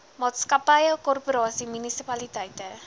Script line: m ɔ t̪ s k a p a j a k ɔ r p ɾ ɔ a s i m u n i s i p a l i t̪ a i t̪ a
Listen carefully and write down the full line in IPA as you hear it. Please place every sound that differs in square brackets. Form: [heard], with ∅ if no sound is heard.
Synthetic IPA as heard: m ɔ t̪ s k a p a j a k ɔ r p ɾ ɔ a s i m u n i s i p a l i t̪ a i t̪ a